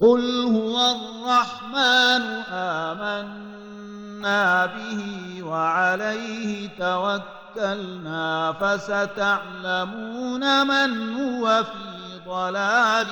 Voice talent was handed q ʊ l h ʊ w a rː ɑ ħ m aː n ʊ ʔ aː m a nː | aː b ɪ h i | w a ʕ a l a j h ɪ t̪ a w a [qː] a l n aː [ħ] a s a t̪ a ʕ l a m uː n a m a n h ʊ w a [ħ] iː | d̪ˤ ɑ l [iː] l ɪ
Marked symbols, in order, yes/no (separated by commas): no, no, no, no